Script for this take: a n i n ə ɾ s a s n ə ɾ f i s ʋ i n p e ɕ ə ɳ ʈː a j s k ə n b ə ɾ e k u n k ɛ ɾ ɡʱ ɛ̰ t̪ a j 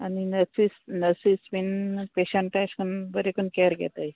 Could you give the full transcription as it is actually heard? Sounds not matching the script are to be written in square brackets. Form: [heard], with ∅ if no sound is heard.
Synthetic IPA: a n i n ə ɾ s [i] s n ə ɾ [s] i s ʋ i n p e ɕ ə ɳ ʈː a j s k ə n b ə ɾ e k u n k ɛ ɾ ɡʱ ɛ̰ t̪ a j